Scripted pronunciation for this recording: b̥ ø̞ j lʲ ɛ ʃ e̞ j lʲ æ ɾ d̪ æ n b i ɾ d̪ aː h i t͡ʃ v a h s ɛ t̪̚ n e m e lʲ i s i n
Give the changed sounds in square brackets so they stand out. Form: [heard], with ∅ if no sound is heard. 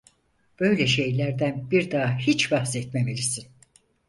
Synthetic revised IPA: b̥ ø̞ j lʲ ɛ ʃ e̞ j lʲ æ ɾ d̪ æ n b i ɾ d̪ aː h i t͡ʃ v a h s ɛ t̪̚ [m] e m e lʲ i s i n